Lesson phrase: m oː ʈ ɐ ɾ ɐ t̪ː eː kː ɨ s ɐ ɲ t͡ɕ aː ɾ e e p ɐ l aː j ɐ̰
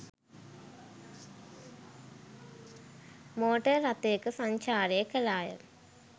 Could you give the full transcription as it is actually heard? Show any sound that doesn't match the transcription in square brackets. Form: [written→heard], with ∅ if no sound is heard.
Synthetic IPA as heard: m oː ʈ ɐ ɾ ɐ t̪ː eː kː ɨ s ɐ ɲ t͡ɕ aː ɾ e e [p→k] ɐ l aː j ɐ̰